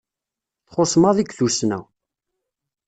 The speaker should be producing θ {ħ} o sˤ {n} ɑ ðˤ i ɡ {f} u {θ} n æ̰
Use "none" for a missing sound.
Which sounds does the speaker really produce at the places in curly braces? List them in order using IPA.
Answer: χ, m, θ, s

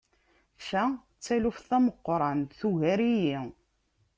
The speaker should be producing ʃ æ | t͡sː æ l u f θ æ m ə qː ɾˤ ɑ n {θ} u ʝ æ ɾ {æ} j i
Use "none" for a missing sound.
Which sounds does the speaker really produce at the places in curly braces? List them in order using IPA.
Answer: θ, i

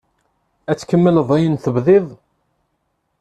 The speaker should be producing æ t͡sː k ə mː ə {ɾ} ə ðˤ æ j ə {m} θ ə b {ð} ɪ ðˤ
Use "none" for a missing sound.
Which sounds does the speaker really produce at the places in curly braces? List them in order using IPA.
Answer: l, n, ð

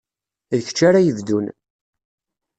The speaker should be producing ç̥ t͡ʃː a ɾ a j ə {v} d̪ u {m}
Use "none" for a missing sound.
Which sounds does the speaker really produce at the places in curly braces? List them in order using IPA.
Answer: v, n

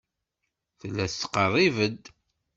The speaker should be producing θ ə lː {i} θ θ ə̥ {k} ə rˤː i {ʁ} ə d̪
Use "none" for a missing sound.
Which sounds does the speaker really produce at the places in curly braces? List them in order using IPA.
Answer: æ, q, v

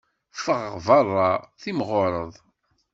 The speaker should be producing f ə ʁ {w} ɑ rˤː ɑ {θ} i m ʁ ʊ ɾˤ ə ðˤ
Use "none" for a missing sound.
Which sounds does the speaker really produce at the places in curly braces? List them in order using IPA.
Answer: v, θ

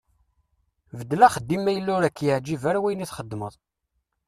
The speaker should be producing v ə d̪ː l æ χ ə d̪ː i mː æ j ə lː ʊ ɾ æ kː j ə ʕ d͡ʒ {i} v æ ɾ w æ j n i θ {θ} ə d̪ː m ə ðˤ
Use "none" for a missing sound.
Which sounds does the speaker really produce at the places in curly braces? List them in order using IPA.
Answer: i, χ

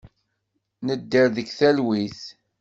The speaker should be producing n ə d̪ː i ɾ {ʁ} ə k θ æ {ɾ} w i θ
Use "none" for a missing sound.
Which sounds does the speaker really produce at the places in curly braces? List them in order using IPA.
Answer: ð, l

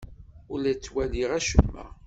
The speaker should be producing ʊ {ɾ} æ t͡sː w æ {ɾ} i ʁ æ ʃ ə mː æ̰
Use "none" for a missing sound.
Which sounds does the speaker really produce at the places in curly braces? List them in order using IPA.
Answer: l, l

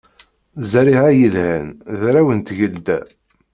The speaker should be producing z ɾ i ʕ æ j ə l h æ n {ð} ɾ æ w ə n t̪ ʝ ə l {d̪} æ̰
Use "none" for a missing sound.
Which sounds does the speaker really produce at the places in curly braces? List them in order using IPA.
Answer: ð, d̪

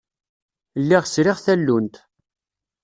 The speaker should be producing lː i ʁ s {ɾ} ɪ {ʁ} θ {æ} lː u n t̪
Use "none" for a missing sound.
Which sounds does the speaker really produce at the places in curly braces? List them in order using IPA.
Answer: ɾ, ʁ, æ

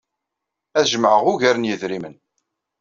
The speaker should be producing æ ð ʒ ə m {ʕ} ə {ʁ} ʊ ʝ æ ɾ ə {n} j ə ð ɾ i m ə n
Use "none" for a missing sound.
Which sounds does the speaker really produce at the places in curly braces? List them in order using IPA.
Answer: ʕ, ʁ, n

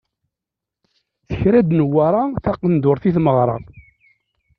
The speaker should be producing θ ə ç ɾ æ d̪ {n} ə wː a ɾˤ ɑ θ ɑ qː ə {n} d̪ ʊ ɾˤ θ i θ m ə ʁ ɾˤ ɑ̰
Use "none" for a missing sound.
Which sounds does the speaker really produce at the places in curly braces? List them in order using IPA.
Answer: n, n

